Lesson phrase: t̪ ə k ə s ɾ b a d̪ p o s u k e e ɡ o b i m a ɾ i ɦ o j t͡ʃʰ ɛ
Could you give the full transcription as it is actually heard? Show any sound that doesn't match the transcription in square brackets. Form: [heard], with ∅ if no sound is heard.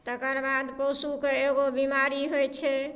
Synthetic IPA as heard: t̪ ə k ə [∅] ɾ b a d̪ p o s u k e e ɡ o b i m a ɾ i ɦ o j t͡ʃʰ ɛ